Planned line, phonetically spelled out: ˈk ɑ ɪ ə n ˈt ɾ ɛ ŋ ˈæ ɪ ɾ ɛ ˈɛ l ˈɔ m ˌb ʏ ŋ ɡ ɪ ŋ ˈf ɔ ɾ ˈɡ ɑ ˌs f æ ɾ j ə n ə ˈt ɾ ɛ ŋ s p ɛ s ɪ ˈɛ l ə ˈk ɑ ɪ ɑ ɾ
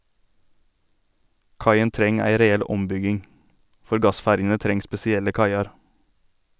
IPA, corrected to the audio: ˈk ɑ ɪ ə n ˈt ɾ ɛ ŋ ˈæ ɪ ɾ ɛ ˈɛ l ˈɔ m ˌb ʏ ɡ ɪ ŋ ˈf ɔ ɾ ˈɡ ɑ ˌs f æ ɾ j ə n ə ˈt ɾ ɛ ŋ s p ɛ s ɪ ˈɛ l ə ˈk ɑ ɪ ɑ ɾ

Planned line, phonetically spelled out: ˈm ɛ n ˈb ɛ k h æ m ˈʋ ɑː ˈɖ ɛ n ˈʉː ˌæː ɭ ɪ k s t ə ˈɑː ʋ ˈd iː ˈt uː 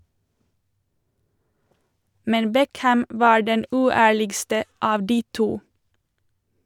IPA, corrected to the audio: ˈm ɛ n ˈb ɛ k h æ m ˈʋ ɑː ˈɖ ɛ n ˈʉː ˌæː ɭ ɪ ɡ s t ə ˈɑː ʋ ˈd iː ˈt uː

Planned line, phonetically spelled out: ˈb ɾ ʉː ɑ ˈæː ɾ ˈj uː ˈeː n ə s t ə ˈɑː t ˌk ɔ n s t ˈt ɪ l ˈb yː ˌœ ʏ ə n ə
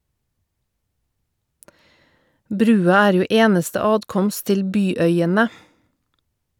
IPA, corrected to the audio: ˈb ɾ ʉː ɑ ˈæː ɾ ˈj uː ˈeː n ə s t ə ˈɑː t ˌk ɔ m s t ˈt ɪ l ˈb yː ˌœ ʏ ə n ə

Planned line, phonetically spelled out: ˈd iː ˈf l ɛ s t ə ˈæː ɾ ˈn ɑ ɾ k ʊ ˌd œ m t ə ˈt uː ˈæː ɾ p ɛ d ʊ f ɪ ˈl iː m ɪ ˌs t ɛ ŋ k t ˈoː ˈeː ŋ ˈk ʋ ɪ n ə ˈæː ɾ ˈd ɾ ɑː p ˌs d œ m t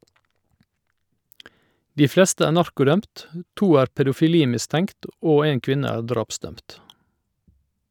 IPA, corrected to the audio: ˈd iː ˈf l ɛ s t ə ˈæː ɾ ˈn ɑ ɾ k ʊ ˌd œ m t ə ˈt uː ˈæː ɾ p ɛ d ʊ f ɪ ˈl iː m ɪ ˌs t ɛ ŋ k t ˈoː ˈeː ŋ ˈk ʋ ɪ n ə ˈæː ɾ ˈd ɾ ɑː p ˌs d œ m t

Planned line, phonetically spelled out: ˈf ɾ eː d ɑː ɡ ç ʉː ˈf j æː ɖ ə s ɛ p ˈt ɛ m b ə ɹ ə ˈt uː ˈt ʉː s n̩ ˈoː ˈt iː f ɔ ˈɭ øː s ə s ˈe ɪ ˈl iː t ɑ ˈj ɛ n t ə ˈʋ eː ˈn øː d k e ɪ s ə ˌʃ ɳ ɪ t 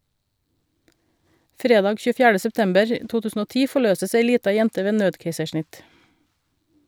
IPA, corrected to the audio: ˈf ɾ eː d ɑː ɡ ç ʉː ˈf j æː ɖ ə s ɛ p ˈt ɛ m b ə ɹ ə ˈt uː ˈt ʉː s n̩ ˈoː ˈt iː f ɔ ˈɭ øː s ə s ˈe ɪ ˈl iː t ɑ ˈj ɛ n t ə ˈʋ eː ˈn øː d k e ɪ s ə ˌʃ ɳ ɪ t

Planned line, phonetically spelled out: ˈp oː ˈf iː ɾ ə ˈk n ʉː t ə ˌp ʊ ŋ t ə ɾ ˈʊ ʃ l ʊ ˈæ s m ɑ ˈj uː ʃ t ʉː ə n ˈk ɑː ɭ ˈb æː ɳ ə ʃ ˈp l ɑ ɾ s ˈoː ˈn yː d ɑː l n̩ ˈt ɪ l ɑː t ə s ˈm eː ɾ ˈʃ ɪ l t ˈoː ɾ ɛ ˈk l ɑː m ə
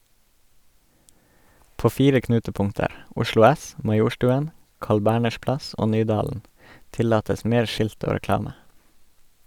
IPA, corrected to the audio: ˈp oː ˈf iː ɾ ə ˈk n ʉː t ə ˌp ʊ ŋ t ə ɾ ˈʊ ʃ l ʊ ˈæ s m ɑ ˈj uː ʃ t ʉː ə n ˈk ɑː ɭ ˈb æː ɳ ə ʃ ˈp l ɑ s ˈoː ˈn yː d ɑː l n̩ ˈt ɪ l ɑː t ə s ˈm eː ɾ ˈʃ ɪ l t ˈoː ɾ ɛ ˈk l ɑː m ə

